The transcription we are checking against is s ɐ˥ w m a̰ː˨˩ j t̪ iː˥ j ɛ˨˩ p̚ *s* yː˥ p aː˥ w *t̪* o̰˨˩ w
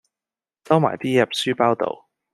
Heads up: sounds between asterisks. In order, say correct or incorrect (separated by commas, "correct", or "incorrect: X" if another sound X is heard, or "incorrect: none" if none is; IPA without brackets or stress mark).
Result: correct, correct